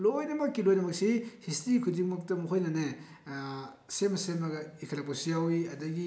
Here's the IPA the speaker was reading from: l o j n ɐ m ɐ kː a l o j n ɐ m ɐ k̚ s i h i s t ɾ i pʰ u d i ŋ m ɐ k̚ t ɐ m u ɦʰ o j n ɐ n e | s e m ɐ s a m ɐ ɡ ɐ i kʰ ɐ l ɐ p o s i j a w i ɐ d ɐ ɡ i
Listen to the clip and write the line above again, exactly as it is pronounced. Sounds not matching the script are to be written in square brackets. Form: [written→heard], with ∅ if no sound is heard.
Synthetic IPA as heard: l o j n ɐ m ɐ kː [a→i] l o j n ɐ m ɐ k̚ s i h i s t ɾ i [pʰ→kʰ] u d i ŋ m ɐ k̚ t ɐ m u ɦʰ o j n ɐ n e | s e m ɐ s [a→e] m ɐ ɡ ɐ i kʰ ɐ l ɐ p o s i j a w i ɐ d ɐ ɡ i